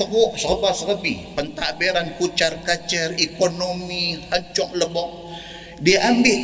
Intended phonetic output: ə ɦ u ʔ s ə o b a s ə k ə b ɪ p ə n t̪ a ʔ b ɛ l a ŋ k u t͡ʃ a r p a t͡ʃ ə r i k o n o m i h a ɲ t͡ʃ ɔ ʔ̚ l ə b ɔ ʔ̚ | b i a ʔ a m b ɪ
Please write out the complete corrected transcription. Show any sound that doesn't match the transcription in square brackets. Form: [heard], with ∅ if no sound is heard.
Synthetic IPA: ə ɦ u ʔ s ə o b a s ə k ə b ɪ p ə n t̪ a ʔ b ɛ [ɾ] a [n] k u t͡ʃ a r [k] a t͡ʃ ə r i k o n o m i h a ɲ t͡ʃ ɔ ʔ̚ l ə b ɔ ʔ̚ | [d] i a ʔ a m b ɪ